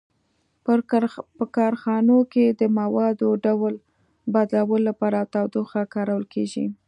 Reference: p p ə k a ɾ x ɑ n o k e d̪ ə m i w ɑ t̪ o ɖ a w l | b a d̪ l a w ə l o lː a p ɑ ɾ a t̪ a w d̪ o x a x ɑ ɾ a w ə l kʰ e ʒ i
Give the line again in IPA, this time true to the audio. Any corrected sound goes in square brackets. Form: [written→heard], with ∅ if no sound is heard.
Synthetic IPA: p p ə k [a→ɑ] ɾ x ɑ n o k e d̪ ə m [i→a] w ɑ [t̪→d̪] o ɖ a w l | b a d̪ l a w ə l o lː a p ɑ ɾ a t̪ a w d̪ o x a [x→k] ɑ ɾ a w ə l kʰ e ʒ i